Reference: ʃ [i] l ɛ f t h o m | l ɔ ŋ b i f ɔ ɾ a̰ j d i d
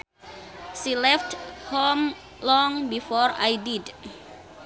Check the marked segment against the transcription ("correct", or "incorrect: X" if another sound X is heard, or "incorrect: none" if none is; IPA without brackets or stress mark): correct